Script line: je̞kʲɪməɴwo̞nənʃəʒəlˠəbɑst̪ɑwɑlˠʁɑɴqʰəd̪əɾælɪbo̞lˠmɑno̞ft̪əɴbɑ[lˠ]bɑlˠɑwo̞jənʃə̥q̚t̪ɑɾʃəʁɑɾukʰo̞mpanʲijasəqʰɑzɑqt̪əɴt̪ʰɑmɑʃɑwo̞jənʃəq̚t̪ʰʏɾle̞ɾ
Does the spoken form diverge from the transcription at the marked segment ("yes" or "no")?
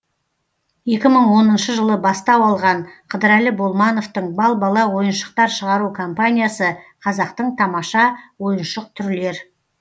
no